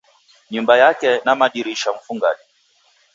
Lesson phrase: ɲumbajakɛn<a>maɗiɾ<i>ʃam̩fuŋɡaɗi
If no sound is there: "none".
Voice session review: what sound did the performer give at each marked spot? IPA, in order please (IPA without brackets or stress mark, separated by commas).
a, i